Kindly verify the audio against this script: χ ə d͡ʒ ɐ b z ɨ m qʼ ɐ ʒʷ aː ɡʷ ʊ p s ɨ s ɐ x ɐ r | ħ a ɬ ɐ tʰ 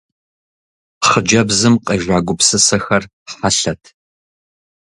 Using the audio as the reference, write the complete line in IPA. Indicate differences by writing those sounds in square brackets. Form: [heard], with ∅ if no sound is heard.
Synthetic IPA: χ ə d͡ʒ ɐ b z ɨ m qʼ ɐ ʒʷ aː ɡʷ ʊ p s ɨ s ɐ x ɐ r | ħ a ɬ ɐ tʰ